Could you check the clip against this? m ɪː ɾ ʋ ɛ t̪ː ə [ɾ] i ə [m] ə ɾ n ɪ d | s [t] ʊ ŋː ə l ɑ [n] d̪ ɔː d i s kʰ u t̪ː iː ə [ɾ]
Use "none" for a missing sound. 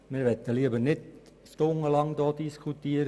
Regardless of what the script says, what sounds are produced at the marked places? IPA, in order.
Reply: l, b, t, ŋ, ɾ

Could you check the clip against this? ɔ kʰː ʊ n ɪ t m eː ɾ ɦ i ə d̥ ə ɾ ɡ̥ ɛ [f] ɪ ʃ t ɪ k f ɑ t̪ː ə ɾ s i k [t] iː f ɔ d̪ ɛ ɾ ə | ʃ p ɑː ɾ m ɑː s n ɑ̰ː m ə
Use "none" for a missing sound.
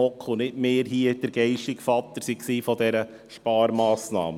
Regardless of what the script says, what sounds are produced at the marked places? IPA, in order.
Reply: none, s

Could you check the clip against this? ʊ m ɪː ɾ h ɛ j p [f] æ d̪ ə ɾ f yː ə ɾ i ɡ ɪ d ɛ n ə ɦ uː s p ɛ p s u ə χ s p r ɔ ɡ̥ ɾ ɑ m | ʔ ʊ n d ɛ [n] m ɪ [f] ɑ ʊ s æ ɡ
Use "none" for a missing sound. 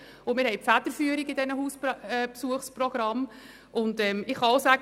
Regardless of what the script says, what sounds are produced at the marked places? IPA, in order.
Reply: f, none, χ

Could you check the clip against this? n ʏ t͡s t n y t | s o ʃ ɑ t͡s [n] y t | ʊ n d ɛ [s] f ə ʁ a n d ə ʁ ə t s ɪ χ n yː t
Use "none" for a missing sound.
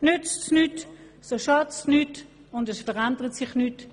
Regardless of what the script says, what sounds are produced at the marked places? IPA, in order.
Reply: n, s

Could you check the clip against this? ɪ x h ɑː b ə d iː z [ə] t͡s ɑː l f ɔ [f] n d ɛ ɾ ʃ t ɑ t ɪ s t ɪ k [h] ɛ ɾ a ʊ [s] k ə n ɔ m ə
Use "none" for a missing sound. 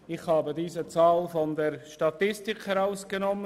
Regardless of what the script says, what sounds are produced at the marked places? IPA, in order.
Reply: ə, none, h, s

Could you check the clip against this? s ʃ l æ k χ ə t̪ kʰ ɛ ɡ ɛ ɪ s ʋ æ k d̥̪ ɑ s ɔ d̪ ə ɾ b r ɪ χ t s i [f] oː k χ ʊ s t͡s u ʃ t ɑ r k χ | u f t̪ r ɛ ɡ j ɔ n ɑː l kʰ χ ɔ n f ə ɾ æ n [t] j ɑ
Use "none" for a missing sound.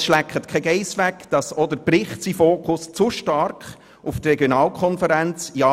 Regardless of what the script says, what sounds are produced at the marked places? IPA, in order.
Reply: f, t͡s

